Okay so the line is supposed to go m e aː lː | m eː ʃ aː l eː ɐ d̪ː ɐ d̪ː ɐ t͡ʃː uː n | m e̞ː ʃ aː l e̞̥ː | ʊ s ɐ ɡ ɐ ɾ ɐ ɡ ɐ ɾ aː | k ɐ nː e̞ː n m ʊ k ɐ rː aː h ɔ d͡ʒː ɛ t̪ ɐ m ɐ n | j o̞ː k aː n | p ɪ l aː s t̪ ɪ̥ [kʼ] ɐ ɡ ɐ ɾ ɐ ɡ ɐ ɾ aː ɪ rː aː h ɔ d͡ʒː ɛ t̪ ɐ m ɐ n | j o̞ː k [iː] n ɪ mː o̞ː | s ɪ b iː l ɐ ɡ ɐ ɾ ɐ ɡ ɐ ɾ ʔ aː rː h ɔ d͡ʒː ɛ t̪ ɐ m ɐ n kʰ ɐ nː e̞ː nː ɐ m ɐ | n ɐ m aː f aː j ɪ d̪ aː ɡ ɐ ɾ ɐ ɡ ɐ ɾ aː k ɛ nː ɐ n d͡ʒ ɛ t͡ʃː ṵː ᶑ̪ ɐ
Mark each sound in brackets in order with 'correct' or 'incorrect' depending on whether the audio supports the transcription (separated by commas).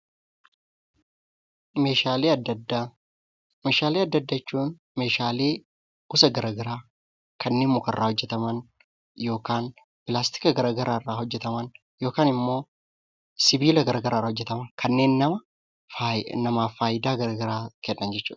incorrect, incorrect